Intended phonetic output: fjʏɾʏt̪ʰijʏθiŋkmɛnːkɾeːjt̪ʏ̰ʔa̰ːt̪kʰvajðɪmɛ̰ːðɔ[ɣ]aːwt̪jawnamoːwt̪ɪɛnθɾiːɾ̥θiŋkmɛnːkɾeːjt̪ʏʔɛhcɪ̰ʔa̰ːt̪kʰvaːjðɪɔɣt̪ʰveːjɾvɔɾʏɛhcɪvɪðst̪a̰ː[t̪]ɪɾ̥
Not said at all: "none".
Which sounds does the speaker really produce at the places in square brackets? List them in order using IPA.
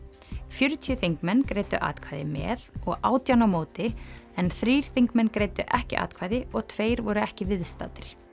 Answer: ɣ, t̪

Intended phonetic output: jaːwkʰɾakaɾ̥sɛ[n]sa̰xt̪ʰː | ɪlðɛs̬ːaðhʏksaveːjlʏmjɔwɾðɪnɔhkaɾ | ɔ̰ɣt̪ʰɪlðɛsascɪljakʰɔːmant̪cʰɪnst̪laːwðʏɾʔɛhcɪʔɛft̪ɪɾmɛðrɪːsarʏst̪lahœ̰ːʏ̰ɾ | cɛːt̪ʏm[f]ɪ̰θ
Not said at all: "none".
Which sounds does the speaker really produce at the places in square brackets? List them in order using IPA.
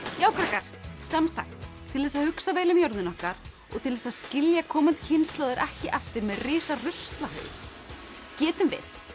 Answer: m, v

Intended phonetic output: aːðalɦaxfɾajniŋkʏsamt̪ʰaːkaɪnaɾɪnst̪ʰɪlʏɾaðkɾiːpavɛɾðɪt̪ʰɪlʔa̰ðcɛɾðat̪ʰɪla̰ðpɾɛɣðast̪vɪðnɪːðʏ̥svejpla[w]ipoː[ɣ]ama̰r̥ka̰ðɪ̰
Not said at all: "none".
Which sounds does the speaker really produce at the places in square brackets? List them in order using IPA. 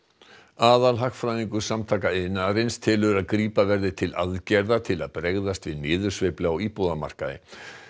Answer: w, ð

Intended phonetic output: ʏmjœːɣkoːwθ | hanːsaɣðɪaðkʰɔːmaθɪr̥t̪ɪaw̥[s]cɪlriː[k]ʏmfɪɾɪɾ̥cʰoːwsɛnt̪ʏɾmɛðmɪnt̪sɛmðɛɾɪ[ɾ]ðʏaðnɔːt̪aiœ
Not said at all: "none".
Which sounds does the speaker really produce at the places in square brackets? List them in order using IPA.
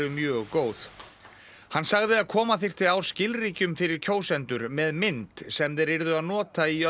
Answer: s, c, ɾ

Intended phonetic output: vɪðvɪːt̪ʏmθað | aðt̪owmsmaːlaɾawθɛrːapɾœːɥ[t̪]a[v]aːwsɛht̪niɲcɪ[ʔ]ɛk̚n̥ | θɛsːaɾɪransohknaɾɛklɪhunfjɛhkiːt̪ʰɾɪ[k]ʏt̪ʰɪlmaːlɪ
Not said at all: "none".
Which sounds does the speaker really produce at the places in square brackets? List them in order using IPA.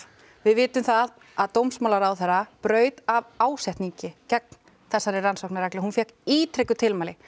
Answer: t̪, v, c, k

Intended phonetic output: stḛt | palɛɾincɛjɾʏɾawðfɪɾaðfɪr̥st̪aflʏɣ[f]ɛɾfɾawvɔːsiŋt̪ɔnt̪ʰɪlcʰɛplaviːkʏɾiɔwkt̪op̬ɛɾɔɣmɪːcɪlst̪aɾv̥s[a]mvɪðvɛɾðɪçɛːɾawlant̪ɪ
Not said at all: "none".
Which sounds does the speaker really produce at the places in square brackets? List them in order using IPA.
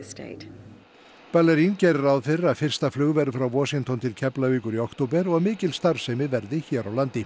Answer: v, ɛ

